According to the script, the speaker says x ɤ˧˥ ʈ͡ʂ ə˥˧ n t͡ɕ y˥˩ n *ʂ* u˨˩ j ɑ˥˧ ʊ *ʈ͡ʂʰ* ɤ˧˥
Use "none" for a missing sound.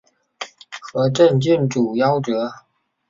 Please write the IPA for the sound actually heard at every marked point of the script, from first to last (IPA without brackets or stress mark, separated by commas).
ʈ͡ʂ, ʈ͡ʂ